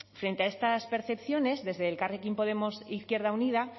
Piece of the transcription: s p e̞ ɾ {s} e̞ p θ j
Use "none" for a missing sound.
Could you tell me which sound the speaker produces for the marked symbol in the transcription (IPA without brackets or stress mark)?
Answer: θ